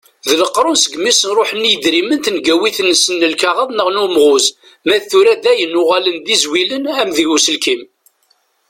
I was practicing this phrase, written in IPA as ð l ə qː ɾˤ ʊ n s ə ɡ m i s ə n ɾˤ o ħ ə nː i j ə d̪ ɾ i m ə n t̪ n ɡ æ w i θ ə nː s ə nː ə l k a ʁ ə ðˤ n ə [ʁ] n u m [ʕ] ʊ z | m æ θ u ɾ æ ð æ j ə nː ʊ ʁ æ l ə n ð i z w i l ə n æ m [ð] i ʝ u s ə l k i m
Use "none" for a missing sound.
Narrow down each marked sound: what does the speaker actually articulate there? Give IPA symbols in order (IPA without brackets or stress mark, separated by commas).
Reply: ʁ, ʁ, ð